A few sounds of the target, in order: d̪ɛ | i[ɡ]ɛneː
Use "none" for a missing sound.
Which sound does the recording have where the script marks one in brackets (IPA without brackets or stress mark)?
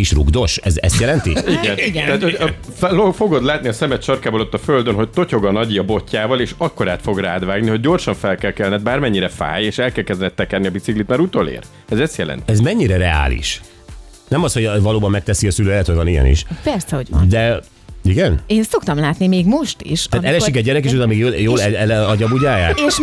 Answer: ɡ